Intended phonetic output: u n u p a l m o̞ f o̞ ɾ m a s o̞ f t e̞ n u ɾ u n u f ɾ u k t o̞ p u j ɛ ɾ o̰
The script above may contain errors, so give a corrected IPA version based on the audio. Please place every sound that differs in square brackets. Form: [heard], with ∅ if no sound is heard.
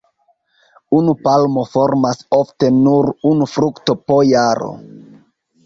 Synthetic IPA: u n u p a l m o̞ f o̞ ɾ m a s o̞ f t e̞ n u ɾ u n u f ɾ u k t o̞ p [o] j [a] ɾ o̰